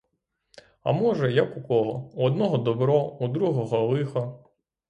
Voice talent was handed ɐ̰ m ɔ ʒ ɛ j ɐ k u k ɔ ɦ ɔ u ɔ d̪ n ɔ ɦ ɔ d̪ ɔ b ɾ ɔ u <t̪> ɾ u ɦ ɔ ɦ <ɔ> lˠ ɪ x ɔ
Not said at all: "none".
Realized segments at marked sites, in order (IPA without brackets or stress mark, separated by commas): d̪, ɔ